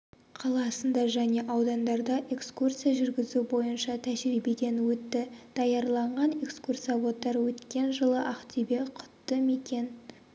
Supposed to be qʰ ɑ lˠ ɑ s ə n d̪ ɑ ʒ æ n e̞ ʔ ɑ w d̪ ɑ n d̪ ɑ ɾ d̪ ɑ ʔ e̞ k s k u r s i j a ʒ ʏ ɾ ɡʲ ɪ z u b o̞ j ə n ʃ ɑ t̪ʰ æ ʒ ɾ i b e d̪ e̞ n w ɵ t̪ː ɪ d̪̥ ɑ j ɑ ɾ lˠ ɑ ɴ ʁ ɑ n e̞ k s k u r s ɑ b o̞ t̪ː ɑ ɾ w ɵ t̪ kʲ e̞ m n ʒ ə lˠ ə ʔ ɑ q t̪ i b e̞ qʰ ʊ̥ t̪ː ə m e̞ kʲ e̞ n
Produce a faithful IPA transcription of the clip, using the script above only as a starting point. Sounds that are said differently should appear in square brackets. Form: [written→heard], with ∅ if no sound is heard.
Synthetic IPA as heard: qʰ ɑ lˠ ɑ s ə n d̪ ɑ ʒ æ n e̞ ʔ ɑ w d̪ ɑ n d̪ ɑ ɾ d̪ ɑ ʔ e̞ k s k u r s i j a ʒ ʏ ɾ ɡʲ ɪ z u b o̞ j ə n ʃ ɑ t̪ʰ æ ʒ ɾ i b e d̪ e̞ n w ɵ t̪ː ɪ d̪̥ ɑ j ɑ ɾ lˠ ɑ ɴ ʁ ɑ n e̞ k s k u r s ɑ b o̞ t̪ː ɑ ɾ w ɵ t̪ kʲ e̞ [m→∅] n ʒ ə lˠ ə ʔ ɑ q t̪ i b e̞ qʰ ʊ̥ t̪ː ə m e̞ kʲ e̞ n